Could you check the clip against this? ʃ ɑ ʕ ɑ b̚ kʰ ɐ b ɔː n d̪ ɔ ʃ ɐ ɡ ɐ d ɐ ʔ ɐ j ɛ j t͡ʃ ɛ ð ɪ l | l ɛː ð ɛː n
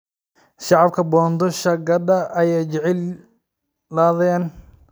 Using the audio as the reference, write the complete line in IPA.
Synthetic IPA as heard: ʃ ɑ ʕ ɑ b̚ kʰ ɐ b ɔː n d̪ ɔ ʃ ɐ ɡ ɐ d ɐ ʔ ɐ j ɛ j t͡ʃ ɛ ʕ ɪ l | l aː ð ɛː n